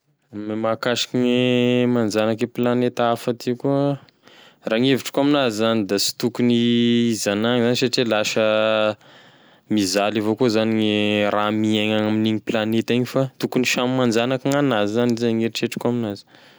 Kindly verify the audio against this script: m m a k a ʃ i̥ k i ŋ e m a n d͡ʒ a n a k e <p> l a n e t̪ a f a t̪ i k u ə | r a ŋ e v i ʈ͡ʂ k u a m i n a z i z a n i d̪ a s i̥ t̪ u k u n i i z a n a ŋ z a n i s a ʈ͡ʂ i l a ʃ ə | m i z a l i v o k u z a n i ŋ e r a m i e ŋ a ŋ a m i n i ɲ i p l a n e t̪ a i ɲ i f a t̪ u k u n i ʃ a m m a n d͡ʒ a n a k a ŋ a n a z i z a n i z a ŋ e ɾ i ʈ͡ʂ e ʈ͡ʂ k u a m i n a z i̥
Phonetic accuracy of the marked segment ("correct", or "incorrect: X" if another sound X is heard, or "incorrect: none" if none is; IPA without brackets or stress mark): correct